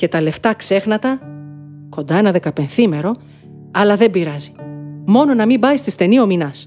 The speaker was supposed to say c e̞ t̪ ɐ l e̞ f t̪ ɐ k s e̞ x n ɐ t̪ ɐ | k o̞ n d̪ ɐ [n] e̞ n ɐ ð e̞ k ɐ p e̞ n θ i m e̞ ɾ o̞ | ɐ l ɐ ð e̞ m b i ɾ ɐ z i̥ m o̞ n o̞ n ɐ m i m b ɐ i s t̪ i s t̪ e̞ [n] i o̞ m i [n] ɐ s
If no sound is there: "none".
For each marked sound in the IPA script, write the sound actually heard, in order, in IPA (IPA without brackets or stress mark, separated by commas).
none, n, n